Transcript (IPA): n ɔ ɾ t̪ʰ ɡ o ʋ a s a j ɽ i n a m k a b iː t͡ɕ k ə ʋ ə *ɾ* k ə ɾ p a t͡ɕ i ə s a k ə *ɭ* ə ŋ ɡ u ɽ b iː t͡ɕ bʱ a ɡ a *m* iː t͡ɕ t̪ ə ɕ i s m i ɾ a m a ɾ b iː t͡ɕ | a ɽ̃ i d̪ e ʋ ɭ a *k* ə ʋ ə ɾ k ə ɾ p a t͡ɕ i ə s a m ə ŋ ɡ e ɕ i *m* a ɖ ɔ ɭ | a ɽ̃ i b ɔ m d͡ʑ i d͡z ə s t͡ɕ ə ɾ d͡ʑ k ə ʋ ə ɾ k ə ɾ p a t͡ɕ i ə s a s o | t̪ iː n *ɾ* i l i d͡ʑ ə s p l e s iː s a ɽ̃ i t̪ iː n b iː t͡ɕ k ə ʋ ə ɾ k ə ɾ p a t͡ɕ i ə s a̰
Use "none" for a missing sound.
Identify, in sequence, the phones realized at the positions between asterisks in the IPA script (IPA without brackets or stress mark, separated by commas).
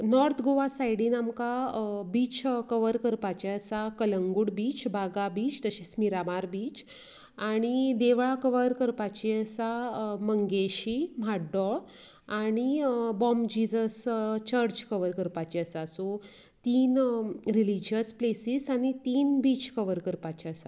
ɾ, l, b, k, m, ɾ